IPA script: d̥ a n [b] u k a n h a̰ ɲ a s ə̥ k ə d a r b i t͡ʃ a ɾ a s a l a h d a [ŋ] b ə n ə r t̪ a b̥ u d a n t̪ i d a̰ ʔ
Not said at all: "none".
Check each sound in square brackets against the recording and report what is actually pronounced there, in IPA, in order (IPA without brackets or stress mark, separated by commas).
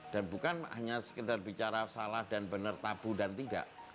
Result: b, n